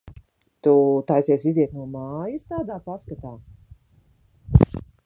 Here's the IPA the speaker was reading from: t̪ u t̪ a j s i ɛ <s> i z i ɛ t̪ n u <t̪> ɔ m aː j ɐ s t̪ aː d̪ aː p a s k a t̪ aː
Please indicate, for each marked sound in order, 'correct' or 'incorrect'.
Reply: correct, incorrect

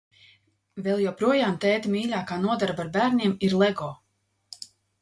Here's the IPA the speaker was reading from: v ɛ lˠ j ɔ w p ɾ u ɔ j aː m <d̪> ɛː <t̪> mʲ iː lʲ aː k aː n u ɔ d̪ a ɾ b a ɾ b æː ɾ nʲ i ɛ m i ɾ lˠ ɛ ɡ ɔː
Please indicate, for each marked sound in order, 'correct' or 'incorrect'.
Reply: incorrect, correct

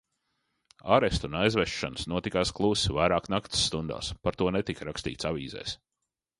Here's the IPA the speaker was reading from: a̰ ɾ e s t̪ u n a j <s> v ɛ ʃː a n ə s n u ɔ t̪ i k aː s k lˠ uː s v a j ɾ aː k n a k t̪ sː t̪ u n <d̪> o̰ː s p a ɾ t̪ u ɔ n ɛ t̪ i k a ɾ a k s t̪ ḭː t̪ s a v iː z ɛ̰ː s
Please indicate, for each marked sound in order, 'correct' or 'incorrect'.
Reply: incorrect, correct

